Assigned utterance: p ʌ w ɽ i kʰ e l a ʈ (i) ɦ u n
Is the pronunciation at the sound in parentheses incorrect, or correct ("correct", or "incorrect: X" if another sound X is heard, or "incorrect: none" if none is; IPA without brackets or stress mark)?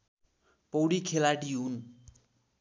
correct